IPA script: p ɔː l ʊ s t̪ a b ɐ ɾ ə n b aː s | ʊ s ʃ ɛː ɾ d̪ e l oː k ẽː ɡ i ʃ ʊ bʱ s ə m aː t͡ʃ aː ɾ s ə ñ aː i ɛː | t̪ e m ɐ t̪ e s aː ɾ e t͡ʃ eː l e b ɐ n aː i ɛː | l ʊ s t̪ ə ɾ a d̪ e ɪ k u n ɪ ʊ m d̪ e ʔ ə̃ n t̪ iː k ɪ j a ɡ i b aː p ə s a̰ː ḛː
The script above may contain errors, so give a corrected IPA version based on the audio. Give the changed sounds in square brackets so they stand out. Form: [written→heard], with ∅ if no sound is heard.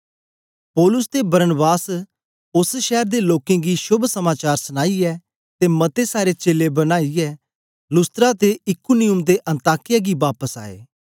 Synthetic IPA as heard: p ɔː l ʊ s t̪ [a→e] b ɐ ɾ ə n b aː s | ʊ s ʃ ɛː ɾ d̪ e l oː k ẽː ɡ i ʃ ʊ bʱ s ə m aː t͡ʃ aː ɾ s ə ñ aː i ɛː | t̪ e m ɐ t̪ e s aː ɾ e t͡ʃ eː l e b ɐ n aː i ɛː | l ʊ s t̪ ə ɾ a [d̪→t̪] e ɪ k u n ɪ ʊ m d̪ e ʔ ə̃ n t̪ [iː→aː] k ɪ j a ɡ i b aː p ə s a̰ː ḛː